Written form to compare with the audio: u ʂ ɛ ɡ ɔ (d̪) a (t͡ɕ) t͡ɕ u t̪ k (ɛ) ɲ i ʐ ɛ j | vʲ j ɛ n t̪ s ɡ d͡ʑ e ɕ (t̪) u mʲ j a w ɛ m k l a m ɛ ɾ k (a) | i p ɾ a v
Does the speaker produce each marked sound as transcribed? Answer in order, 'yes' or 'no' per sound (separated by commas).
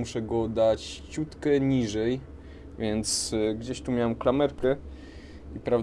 yes, yes, yes, yes, no